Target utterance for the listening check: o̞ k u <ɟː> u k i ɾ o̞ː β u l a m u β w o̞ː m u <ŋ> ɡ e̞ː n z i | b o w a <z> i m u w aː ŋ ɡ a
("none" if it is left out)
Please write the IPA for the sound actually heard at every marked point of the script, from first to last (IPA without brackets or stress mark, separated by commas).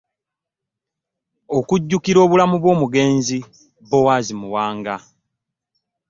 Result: ɟː, none, z